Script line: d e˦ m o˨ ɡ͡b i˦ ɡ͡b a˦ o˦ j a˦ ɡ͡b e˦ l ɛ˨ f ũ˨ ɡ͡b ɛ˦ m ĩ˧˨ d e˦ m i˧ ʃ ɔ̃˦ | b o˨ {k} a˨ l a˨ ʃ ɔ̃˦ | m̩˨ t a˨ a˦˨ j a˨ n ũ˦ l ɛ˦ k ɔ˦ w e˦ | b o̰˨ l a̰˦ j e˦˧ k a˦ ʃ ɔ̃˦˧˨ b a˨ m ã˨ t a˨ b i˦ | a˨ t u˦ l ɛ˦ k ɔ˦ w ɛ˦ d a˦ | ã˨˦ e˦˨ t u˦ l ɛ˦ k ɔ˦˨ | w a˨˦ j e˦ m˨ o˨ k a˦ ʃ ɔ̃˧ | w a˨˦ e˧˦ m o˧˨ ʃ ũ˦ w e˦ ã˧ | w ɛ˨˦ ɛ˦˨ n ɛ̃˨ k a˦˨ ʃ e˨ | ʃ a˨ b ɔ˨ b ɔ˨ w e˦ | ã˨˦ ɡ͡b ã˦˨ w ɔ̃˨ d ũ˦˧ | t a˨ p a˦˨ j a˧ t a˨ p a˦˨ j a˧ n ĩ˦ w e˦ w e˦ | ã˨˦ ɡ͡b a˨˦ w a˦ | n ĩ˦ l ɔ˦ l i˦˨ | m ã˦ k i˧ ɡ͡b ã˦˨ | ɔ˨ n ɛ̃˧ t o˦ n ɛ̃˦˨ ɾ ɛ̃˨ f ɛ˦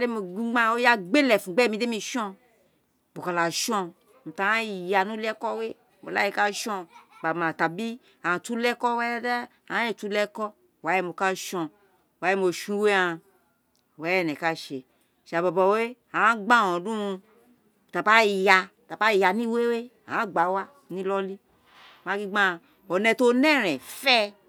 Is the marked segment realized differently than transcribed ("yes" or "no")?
no